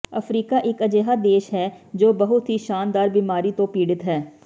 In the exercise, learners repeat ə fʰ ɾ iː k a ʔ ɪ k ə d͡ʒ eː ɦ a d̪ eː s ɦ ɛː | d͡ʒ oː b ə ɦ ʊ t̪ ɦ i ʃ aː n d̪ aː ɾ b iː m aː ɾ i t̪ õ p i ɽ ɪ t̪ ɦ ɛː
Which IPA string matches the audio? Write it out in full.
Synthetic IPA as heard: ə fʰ ɾ iː k a ʔ ɪ k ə d͡ʒ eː ɦ a d̪ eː ʃ ɦ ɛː | d͡ʒ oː b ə ɦ ʊ t̪ ɦ i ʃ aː n d̪ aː ɾ b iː m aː ɾ i t̪ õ p iː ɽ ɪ t̪ ɦ ɛː